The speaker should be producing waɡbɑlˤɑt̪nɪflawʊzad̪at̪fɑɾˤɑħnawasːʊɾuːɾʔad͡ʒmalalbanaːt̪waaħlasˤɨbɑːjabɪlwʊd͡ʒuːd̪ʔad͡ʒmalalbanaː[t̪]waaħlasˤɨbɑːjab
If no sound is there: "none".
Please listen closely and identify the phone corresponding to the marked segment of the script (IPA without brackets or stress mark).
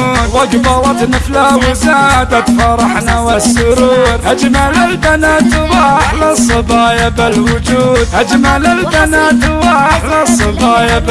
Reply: t̪